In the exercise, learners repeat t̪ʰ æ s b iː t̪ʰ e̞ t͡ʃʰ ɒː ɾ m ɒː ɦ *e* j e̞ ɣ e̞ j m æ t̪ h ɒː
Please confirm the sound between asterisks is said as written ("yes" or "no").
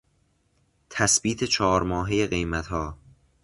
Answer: yes